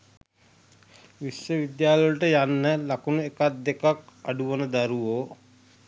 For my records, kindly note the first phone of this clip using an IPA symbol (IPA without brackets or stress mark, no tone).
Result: ʋ